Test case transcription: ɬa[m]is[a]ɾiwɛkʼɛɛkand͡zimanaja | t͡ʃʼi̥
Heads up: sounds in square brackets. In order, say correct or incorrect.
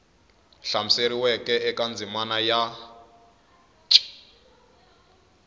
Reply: correct, incorrect: e

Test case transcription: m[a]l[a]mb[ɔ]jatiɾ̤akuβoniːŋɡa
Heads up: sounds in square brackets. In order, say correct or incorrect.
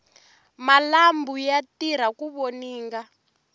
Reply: correct, correct, incorrect: u

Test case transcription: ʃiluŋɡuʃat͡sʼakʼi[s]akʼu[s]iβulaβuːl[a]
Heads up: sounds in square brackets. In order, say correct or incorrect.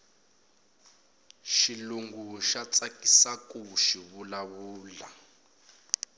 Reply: correct, incorrect: ʃ, correct

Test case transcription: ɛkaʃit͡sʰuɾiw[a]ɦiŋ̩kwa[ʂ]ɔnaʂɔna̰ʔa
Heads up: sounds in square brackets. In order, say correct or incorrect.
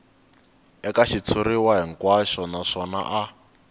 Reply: correct, incorrect: ʃ

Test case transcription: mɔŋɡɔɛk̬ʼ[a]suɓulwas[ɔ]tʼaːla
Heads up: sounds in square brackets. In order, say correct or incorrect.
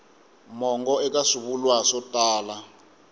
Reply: correct, correct

